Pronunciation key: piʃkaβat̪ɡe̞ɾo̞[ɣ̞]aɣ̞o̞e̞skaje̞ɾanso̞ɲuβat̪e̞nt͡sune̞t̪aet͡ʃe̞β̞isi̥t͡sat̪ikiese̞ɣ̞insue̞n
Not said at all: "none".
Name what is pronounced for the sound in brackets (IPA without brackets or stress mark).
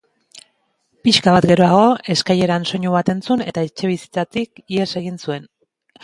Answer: none